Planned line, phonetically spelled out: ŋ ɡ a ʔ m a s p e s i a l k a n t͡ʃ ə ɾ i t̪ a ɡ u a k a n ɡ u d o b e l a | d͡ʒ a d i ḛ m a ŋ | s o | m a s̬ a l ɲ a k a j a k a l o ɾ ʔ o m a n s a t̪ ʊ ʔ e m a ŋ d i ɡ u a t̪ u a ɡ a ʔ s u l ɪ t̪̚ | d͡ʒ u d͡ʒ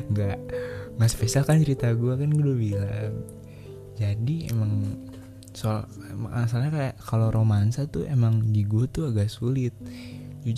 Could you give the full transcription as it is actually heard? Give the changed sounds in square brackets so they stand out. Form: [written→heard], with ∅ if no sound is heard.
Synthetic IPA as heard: ŋ ɡ a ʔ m a s p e s i a l k a n t͡ʃ ə ɾ i t̪ a ɡ u a k a n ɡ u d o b [e→i] l a | d͡ʒ a d i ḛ m a ŋ | s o | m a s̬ a l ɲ a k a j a k a l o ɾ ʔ o m a n s a t̪ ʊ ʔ e m a ŋ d i ɡ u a t̪ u a ɡ a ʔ s u l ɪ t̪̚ | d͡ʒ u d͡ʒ